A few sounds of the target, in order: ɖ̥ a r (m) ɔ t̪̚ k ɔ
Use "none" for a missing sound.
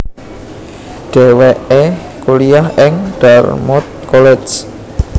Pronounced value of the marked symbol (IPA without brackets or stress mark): m